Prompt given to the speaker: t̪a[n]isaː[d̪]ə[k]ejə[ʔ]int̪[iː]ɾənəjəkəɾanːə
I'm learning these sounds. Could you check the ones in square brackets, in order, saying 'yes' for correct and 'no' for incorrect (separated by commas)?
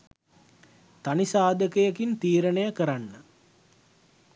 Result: yes, yes, yes, no, yes